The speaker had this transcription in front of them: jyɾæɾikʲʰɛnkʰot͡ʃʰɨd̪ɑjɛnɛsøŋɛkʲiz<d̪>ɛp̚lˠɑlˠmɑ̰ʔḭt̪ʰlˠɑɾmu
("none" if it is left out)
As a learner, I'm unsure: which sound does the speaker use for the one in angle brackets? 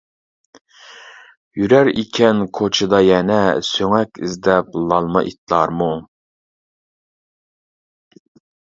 d̪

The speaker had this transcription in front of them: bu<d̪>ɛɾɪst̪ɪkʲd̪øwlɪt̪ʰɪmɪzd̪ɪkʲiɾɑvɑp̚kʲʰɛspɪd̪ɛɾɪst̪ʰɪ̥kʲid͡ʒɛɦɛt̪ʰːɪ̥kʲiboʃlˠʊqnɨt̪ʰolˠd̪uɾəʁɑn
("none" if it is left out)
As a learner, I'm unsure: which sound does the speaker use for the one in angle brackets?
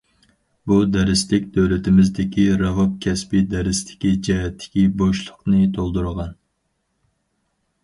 d̪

